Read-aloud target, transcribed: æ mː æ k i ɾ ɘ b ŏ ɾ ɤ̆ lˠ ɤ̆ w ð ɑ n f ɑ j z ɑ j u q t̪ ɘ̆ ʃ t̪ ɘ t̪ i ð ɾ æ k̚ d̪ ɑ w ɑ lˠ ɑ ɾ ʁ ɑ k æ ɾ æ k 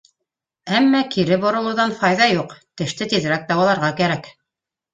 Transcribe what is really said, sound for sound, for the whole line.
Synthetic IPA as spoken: æ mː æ k i ɾ ɘ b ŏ ɾ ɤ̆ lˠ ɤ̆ w ð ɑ n f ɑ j ð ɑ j u q t̪ ɘ̆ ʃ t̪ ɘ t̪ i ð ɾ æ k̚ d̪ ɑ w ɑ lˠ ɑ ɾ ʁ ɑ k æ ɾ æ k